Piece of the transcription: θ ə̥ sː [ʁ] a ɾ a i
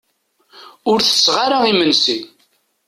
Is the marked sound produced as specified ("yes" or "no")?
yes